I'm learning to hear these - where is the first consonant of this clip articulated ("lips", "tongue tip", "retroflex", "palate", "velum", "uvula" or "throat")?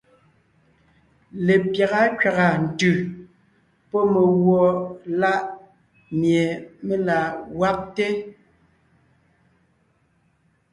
tongue tip